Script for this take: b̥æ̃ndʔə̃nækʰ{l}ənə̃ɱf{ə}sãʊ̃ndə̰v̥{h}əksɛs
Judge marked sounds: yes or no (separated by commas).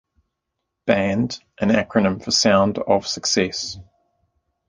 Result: no, yes, no